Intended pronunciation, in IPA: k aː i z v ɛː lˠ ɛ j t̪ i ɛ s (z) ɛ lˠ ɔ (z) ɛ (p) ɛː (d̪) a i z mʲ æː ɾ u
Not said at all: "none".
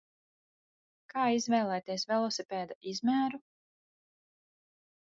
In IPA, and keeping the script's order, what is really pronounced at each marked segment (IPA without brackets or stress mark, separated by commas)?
v, s, p, d̪